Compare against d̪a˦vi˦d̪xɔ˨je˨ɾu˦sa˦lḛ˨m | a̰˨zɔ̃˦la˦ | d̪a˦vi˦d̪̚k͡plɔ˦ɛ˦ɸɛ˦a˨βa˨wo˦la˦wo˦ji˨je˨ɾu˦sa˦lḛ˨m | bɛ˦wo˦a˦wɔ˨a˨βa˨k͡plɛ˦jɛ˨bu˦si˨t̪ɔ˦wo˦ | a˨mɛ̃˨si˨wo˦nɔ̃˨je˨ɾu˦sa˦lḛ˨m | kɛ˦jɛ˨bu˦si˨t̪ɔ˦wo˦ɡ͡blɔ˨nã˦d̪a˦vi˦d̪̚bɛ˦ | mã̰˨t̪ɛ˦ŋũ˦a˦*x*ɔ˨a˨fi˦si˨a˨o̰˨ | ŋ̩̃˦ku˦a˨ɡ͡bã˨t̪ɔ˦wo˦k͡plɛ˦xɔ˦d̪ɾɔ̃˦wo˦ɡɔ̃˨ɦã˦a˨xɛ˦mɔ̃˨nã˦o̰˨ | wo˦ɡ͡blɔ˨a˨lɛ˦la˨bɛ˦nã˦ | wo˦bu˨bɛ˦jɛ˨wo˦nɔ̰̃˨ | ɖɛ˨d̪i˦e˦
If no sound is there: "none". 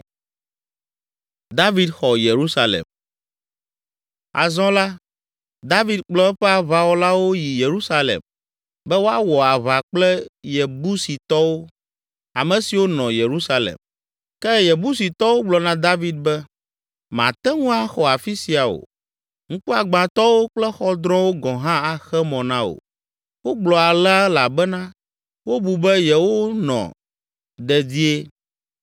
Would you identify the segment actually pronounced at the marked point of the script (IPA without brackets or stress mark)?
x